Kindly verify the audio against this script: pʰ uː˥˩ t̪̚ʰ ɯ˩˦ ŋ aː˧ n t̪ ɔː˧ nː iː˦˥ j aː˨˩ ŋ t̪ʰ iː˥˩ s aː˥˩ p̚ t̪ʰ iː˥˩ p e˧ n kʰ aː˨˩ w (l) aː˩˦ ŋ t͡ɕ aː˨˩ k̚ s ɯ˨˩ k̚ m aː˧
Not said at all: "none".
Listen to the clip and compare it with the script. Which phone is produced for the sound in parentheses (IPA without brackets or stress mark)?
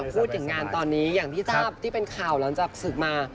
l